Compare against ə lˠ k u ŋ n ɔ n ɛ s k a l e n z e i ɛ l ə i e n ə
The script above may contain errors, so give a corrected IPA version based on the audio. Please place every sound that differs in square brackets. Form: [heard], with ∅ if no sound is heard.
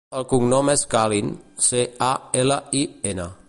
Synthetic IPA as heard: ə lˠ k u ŋ n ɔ [m] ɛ s k a l [i] n [s] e [a] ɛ l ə i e n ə